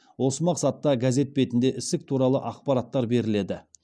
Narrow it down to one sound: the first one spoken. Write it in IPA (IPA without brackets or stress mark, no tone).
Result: w